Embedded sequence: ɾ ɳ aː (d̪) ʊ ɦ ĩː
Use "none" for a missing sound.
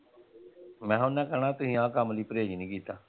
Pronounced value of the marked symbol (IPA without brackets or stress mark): t̪